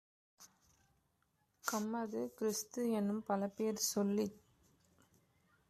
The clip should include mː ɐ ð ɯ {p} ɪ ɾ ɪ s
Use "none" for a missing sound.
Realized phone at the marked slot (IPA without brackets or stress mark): k